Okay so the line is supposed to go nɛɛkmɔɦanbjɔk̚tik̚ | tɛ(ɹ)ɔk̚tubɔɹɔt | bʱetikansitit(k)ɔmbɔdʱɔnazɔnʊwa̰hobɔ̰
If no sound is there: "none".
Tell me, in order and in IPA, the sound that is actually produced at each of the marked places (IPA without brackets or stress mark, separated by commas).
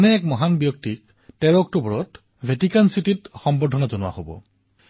ɹ, x